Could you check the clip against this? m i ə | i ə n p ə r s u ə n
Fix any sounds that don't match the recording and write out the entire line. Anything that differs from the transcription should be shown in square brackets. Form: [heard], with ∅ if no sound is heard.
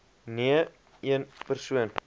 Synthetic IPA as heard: [n] i ə | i ə n p ə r s u ə n